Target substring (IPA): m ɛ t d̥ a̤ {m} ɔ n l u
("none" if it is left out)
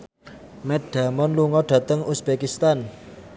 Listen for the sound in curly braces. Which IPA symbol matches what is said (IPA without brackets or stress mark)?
m